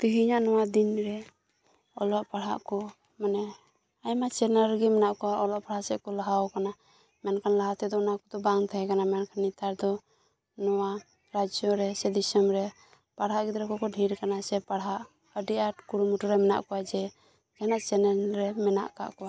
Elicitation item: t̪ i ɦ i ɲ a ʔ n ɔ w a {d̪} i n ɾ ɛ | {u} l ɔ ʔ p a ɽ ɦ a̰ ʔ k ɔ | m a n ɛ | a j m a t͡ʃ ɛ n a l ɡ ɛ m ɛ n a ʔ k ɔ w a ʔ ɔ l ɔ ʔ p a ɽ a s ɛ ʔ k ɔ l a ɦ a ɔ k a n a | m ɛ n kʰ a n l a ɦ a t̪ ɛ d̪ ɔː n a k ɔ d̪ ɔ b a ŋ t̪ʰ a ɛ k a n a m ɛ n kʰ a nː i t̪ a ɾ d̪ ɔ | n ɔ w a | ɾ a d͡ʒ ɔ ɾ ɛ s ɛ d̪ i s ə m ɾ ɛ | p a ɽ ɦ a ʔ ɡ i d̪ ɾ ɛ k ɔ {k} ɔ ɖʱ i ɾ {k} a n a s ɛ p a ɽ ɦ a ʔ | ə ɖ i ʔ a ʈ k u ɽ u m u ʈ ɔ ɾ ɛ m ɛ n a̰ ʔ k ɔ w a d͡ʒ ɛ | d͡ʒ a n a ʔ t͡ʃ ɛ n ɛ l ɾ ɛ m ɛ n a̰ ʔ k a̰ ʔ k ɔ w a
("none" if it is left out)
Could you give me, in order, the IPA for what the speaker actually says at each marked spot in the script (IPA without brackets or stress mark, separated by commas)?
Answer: d̪, ɔ, k, k